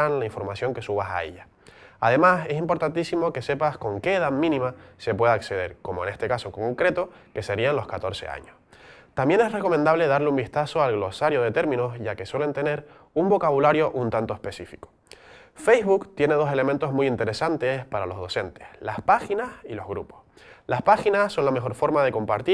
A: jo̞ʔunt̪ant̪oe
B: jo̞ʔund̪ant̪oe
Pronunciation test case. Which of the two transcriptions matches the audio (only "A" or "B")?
A